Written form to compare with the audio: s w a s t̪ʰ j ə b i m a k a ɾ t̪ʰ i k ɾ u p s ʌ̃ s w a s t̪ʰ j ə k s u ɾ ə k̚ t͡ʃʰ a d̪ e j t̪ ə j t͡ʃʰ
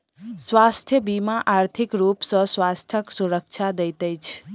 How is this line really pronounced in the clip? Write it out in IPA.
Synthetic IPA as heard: s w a s t̪ʰ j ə b i m a ʔ a ɾ t̪ʰ i k ɾ u p s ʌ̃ s w a s t̪ʰ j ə k s u ɾ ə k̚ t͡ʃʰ a d̪ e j t̪ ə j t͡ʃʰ